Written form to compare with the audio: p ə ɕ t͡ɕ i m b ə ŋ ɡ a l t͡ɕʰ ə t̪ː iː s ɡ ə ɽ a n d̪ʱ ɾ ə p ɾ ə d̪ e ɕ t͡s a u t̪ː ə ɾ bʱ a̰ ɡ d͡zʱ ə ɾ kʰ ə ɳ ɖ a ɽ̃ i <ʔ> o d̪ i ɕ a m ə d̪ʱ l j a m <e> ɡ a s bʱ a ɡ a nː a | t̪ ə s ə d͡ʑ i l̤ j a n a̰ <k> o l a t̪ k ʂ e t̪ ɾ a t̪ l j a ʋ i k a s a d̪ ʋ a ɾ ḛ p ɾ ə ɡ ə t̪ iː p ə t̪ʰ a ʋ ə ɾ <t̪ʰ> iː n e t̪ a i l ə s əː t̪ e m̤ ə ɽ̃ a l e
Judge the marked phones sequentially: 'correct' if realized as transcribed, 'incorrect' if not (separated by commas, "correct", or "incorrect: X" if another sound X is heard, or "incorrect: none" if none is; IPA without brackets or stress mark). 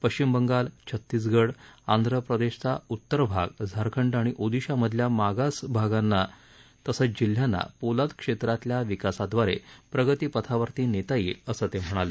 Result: correct, incorrect: a, incorrect: p, incorrect: t̪